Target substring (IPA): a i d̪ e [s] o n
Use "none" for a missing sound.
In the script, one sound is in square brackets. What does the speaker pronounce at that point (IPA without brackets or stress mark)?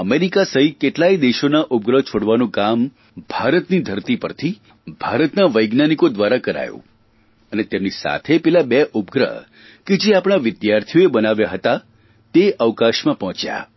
ʃ